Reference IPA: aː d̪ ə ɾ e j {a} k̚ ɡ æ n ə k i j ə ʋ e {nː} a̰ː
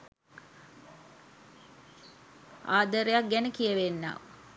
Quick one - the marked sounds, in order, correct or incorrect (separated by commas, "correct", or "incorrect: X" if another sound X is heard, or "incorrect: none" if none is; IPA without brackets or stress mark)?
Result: correct, correct